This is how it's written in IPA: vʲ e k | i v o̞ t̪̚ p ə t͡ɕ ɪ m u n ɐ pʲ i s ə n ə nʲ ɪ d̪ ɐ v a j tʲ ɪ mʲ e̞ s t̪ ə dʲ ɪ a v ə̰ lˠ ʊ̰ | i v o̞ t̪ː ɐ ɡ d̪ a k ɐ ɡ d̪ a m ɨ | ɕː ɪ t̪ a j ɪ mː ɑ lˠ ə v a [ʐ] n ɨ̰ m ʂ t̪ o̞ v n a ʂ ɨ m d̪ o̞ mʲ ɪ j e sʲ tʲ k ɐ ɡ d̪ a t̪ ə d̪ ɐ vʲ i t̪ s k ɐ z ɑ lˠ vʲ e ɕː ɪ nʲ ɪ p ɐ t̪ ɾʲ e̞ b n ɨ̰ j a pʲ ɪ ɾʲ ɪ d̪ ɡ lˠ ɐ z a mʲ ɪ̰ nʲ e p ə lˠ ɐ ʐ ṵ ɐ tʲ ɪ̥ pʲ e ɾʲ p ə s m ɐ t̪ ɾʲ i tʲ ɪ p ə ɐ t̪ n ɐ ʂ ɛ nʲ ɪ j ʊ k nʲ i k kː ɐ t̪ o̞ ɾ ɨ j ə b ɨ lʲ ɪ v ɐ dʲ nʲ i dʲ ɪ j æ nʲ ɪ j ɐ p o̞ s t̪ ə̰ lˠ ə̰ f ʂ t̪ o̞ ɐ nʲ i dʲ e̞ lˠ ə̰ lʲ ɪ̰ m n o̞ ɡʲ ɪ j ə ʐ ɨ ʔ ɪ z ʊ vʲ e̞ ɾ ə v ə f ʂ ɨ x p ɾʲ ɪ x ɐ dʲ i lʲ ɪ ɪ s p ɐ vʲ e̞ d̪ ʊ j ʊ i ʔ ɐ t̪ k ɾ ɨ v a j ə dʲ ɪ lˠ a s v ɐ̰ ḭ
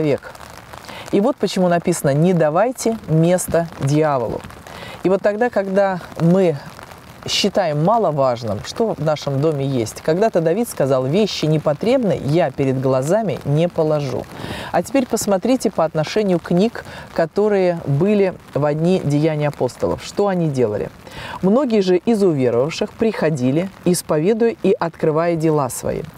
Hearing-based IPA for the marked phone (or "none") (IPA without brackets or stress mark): ʐ